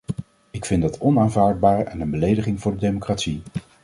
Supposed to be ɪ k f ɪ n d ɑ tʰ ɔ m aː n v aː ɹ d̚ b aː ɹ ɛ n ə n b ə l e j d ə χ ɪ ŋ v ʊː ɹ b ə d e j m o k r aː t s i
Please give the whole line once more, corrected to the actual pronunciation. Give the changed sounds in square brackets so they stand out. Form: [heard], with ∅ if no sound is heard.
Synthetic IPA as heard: ɪ k f ɪ n d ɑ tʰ ɔ [n] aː n v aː ɹ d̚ b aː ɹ ɛ n ə n b ə l e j d ə χ ɪ ŋ v ʊː ɹ [d] ə d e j m o k r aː t s i